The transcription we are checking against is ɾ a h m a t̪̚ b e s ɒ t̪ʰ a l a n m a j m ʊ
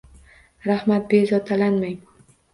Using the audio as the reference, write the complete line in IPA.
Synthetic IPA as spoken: ɾ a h m a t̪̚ b e z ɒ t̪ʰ a l a n m a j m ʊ